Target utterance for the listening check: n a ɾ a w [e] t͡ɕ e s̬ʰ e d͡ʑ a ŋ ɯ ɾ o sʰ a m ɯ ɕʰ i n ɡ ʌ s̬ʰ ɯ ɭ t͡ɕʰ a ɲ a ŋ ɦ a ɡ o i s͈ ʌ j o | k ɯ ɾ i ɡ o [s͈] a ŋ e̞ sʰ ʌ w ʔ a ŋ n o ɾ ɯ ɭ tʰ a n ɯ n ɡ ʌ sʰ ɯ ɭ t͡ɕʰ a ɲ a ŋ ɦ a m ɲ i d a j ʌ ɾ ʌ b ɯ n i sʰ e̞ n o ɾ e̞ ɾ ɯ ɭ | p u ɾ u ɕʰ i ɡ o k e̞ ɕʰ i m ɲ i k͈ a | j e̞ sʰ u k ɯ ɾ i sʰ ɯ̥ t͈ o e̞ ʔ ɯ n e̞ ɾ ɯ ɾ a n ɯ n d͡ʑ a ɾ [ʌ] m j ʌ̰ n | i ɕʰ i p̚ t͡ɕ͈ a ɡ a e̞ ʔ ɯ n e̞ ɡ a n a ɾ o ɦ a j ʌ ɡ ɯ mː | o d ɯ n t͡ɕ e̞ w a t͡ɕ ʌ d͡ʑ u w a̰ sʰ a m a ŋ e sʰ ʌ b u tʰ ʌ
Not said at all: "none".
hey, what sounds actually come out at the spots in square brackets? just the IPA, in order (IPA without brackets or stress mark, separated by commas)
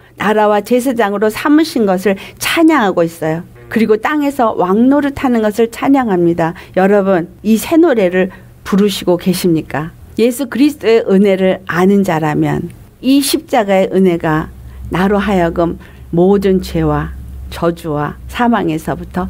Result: a, t͈, a